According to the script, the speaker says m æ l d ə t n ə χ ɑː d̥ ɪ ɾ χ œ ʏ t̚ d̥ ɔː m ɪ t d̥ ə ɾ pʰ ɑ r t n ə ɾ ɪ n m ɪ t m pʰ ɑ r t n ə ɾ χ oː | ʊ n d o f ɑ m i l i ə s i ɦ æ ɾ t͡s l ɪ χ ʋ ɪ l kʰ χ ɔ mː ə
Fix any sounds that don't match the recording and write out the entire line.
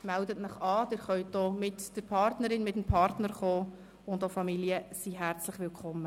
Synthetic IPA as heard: m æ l d ə t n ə χ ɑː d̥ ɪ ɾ χ œ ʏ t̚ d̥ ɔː m ɪ t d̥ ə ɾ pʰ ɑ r t n ə ɾ ɪ n m ɪ t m pʰ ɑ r t n ə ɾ χ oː | ʊ n d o f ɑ m i l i ə s i ɦ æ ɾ t͡s l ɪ χ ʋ ɪ l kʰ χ ɔ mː ə